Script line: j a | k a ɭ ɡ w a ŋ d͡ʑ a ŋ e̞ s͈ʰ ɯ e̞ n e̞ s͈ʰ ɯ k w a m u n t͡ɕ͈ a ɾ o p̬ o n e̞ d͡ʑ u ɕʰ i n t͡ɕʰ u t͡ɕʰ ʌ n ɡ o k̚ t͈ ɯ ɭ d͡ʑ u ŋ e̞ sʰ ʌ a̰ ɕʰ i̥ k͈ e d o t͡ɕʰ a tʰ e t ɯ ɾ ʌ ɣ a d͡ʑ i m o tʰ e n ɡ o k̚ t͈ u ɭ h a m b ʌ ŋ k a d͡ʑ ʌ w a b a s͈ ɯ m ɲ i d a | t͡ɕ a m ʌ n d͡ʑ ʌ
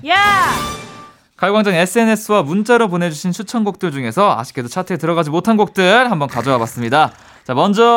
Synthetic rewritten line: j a | k a ɭ ɡ w a ŋ d͡ʑ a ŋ e̞ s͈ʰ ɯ e̞ n e̞ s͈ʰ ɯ w a m u n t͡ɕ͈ a ɾ o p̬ o n e̞ d͡ʑ u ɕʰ i n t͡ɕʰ u t͡ɕʰ ʌ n ɡ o k̚ t͈ ɯ ɭ d͡ʑ u ŋ e̞ sʰ ʌ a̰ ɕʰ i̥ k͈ e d o t͡ɕʰ a tʰ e t ɯ ɾ ʌ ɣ a d͡ʑ i m o tʰ a n ɡ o k̚ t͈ ɯ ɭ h a m b ʌ n k a d͡ʑ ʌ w a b a s͈ ɯ m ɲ i d a | t͡ɕ a m ʌ n d͡ʑ ʌ